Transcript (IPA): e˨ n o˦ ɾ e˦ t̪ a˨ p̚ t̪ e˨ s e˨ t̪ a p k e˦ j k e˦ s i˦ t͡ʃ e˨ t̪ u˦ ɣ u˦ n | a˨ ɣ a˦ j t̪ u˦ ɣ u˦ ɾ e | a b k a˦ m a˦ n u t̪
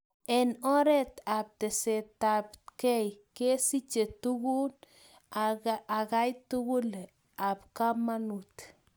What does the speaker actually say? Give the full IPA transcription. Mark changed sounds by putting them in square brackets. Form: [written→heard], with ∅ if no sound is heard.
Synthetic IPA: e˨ n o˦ ɾ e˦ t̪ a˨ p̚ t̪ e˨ s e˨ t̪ a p k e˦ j k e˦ s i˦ t͡ʃ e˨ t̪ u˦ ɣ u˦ n | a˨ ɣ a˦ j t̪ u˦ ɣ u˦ [ɾ→l] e | a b k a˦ m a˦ n u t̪

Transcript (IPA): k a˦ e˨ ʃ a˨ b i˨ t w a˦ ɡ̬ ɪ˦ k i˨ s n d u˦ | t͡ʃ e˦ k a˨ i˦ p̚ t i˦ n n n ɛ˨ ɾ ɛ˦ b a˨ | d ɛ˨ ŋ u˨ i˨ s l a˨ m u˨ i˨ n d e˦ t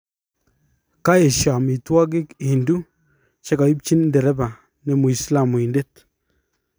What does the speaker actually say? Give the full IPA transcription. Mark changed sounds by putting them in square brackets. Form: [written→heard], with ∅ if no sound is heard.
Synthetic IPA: k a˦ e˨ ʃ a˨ [b→m] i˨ t w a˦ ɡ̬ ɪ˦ k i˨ [s→∅] n d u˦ | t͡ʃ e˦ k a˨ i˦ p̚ [t→t͡ʃ] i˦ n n [n→d] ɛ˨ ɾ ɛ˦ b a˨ | [d→n] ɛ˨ [ŋ→m] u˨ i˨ s l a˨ m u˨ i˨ n d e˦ t

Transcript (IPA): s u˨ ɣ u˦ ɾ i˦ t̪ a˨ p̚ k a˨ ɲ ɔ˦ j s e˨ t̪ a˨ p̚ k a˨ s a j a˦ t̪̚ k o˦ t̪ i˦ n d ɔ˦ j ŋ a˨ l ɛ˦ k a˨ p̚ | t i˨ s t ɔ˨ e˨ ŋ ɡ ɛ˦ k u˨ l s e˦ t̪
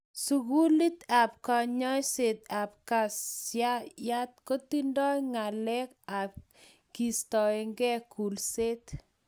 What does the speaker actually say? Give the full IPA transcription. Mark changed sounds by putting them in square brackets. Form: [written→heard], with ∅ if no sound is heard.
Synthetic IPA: s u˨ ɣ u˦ [ɾ→l] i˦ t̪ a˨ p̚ k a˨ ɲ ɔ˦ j s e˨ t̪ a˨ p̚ k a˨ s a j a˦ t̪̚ k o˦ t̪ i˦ n d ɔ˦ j ŋ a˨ l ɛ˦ k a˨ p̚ | [t→k] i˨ s t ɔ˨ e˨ ŋ ɡ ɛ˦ k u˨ l s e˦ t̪

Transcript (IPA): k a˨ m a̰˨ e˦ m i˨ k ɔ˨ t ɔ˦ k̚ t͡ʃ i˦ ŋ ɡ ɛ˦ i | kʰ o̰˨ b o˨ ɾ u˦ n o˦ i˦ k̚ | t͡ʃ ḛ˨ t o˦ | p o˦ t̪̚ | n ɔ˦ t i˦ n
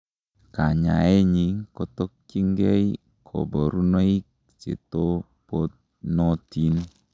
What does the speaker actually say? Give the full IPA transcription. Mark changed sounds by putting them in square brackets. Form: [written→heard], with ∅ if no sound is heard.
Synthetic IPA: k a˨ [m→ɲ] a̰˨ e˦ [m→ɲ] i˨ k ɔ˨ t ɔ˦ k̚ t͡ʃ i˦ ŋ ɡ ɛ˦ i | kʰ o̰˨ b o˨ ɾ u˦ n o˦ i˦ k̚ | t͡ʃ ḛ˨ t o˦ | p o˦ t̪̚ | n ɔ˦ t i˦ n

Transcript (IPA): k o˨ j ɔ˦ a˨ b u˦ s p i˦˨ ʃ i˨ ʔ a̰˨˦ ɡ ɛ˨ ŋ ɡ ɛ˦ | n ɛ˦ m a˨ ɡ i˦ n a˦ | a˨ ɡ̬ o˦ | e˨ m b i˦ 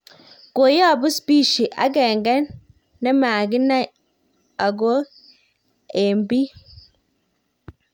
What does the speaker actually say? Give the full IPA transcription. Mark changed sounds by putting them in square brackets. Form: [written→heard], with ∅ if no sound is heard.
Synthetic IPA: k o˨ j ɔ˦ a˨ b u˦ s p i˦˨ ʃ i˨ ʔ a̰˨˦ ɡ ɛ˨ ŋ ɡ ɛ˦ | n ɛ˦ m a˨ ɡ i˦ n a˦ | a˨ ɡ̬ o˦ | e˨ m b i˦

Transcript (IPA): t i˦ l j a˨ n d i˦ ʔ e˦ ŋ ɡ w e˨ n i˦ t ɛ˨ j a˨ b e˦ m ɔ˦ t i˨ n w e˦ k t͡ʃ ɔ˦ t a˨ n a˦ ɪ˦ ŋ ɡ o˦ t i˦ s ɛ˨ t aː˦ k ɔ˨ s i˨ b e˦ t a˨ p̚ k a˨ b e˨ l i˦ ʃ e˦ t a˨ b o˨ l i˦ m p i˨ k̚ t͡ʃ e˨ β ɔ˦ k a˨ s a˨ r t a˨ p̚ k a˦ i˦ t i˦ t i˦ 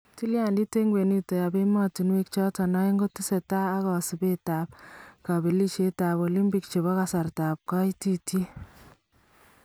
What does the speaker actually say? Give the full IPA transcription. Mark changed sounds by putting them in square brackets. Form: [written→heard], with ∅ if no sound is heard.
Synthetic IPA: t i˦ l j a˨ n d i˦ [ʔ→t] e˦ ŋ ɡ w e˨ n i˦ t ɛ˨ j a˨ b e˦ m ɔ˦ t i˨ n w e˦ k t͡ʃ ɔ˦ t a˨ n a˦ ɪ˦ ŋ ɡ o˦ t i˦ s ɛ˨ t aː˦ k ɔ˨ s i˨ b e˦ t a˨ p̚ k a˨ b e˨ l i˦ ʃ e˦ t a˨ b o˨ l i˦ m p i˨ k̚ t͡ʃ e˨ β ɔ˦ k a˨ s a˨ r t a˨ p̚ k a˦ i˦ t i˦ t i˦

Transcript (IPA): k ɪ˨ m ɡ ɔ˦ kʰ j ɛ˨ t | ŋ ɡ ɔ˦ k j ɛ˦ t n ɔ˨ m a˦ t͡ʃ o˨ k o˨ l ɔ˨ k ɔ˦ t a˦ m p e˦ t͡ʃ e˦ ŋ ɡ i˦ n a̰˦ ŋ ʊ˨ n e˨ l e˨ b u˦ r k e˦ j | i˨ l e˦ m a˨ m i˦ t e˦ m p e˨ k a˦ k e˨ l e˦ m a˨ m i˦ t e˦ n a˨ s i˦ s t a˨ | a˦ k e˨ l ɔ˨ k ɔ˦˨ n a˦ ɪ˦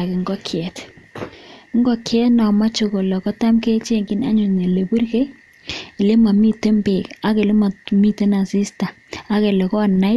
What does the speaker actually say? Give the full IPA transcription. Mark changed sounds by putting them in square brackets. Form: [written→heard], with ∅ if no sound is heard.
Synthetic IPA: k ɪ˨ [m→ŋ] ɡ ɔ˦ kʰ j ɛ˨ t | ŋ ɡ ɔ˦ k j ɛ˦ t n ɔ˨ m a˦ t͡ʃ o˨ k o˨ l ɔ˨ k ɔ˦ t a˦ m [p→k] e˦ t͡ʃ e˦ ŋ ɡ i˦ n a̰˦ [ŋ→ɲ] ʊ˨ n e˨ l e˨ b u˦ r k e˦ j | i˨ l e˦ m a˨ m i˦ t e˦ m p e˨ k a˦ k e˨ l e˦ m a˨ m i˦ t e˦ n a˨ s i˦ s t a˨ | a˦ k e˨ l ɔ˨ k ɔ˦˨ n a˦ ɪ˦

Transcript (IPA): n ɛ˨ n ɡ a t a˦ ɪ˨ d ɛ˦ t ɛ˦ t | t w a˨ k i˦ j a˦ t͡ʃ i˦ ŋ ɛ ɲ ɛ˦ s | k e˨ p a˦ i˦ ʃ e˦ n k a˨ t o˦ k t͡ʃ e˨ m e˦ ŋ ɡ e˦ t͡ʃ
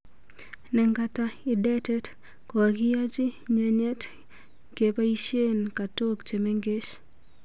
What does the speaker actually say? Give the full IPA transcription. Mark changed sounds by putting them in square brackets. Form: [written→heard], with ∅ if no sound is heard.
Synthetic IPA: n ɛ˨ [n→ŋ] ɡ a t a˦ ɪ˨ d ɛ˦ t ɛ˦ t | [t→k] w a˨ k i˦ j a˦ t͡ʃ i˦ [ŋ→ɲ] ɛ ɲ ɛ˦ [s→t] | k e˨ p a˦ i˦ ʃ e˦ n k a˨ t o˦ k t͡ʃ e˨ m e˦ ŋ ɡ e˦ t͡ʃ

